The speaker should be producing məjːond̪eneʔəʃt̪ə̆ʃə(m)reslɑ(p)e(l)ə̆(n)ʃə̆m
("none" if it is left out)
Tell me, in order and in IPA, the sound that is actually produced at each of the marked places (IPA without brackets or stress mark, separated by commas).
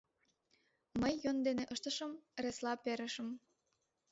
m, p, ɾ, none